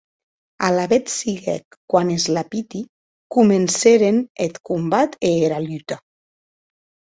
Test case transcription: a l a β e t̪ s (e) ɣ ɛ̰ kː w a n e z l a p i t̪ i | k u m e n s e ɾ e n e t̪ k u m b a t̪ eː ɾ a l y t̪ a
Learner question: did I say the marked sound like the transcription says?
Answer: no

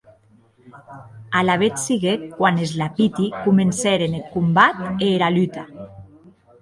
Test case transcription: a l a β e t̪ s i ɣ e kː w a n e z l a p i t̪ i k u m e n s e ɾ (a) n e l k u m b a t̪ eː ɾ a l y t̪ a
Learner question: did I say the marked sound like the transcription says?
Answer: no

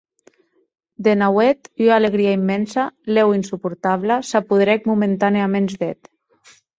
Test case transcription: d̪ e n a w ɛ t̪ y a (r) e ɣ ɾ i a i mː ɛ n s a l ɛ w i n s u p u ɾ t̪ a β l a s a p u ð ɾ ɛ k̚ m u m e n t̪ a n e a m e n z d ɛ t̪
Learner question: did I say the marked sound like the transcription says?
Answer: no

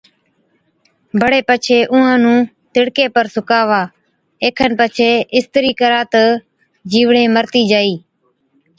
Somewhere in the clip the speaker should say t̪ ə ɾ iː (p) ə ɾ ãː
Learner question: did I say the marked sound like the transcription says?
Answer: no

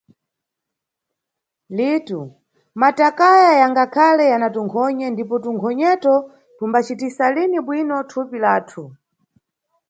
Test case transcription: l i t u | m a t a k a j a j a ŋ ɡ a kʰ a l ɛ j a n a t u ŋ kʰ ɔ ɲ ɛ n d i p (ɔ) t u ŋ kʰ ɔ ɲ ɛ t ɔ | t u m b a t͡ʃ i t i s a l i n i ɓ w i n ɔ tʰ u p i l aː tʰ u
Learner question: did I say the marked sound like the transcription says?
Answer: yes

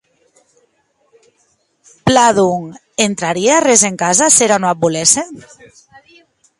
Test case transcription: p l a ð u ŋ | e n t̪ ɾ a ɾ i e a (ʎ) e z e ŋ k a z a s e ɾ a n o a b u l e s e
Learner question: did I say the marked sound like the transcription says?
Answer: no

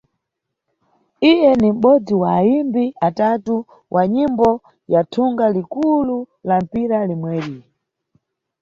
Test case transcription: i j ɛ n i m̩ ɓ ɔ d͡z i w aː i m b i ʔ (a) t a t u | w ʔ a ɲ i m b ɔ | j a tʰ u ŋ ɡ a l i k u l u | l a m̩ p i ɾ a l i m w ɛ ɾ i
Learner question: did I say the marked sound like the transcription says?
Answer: yes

